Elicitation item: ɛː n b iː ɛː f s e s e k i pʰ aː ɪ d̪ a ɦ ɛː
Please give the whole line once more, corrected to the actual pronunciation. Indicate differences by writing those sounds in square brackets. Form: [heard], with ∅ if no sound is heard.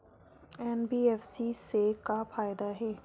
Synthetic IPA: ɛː n b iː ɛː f s [i] s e k [a] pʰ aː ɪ d̪ a ɦ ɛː